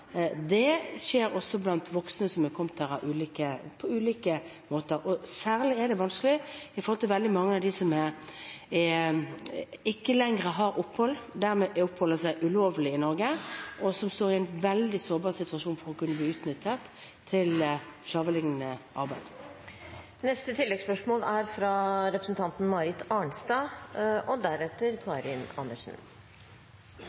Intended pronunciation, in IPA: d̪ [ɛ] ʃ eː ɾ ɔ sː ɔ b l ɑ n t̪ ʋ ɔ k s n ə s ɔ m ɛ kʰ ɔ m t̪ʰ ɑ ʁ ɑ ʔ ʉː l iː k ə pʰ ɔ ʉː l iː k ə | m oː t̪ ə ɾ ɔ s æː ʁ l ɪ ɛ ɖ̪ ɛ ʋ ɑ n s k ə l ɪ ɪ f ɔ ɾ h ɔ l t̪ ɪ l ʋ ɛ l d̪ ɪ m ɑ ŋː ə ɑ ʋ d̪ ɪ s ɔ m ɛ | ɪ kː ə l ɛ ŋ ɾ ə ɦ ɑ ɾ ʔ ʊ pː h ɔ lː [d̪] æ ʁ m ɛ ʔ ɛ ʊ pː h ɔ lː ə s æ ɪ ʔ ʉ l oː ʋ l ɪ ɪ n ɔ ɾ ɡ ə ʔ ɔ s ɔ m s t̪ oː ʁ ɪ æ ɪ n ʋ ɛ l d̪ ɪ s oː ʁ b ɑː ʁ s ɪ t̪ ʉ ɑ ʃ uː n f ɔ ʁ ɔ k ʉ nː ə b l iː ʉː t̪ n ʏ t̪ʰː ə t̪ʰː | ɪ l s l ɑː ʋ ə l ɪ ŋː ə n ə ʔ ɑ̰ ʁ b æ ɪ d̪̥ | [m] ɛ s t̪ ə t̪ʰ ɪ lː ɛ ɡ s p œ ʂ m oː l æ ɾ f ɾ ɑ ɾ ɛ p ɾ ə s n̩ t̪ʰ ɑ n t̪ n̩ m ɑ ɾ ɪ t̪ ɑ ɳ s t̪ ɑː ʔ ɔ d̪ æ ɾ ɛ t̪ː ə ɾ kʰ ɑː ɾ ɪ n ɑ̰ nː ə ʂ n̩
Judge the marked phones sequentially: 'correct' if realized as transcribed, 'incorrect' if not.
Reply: correct, correct, incorrect: n

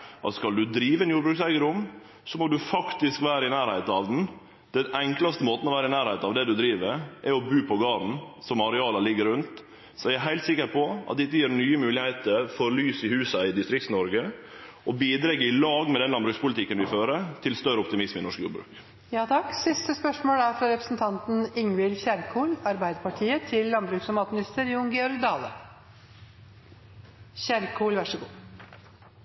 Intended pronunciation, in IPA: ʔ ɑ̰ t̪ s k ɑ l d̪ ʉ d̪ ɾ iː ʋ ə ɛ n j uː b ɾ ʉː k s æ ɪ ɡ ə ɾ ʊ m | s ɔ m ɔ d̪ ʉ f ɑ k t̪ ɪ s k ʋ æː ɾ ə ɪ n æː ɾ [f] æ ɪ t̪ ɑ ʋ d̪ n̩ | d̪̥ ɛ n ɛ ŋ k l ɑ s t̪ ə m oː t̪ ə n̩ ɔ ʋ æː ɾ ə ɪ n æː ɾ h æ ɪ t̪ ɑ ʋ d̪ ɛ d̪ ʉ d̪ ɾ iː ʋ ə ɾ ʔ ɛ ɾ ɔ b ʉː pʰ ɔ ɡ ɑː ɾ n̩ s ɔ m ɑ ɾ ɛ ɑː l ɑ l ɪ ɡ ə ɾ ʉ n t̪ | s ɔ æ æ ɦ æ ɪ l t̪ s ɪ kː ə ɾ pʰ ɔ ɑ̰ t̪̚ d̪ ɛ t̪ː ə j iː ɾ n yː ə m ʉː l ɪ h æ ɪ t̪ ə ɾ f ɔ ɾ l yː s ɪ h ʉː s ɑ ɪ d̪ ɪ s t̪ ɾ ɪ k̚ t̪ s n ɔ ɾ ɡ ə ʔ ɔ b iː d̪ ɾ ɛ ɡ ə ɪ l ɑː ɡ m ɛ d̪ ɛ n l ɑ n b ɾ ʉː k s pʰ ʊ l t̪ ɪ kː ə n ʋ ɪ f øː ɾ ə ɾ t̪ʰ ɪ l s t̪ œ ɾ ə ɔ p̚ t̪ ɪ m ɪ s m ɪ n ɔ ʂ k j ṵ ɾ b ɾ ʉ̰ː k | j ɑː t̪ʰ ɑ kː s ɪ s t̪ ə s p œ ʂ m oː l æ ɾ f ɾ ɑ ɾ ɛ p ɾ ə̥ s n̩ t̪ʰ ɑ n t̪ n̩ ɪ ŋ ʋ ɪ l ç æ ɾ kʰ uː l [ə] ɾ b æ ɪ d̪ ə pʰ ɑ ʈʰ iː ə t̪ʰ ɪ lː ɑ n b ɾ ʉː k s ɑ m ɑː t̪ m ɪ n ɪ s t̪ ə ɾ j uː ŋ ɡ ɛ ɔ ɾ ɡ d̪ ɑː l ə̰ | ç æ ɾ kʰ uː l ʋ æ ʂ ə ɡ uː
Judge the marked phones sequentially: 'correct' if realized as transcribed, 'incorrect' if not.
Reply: incorrect: h, incorrect: ɑ

